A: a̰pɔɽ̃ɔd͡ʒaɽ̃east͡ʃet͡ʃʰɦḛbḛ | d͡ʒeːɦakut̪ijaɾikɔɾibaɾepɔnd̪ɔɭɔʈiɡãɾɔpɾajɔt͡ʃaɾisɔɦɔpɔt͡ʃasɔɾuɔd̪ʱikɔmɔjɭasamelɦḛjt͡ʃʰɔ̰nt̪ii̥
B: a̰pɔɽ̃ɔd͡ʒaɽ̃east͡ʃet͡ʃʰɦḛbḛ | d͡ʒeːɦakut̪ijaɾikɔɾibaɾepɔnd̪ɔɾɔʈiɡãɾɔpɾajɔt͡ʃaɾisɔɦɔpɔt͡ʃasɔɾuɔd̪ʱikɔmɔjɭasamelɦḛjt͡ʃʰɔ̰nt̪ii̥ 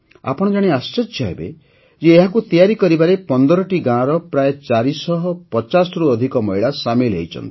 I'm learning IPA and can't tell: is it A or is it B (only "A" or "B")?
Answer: B